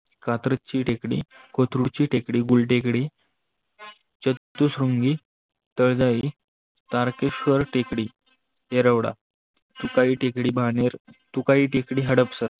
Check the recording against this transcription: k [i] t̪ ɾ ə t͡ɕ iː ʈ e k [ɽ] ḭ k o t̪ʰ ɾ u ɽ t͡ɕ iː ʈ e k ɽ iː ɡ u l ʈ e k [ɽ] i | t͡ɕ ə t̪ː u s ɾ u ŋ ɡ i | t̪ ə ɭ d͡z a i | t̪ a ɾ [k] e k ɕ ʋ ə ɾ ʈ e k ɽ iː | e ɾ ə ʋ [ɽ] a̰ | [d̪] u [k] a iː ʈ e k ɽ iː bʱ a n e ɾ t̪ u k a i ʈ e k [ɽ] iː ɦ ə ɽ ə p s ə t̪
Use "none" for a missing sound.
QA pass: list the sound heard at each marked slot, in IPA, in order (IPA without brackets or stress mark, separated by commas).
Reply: a, ɽ, ɽ, k, ɽ, t̪, k, ɽ